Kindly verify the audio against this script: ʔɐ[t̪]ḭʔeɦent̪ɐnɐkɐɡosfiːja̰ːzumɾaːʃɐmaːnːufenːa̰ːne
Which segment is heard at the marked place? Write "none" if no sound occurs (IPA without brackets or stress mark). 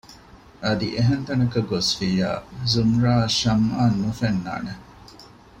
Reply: d̪